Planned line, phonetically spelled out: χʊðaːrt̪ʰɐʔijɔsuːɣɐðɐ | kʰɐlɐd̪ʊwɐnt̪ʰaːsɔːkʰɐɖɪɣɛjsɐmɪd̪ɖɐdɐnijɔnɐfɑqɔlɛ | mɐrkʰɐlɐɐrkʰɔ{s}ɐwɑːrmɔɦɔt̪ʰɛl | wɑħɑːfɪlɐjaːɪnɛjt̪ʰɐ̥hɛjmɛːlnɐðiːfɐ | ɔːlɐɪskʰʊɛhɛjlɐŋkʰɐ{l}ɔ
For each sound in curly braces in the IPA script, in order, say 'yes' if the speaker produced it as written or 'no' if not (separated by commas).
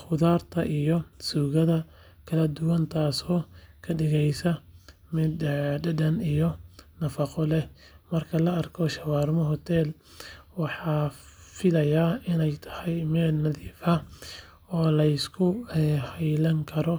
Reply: no, no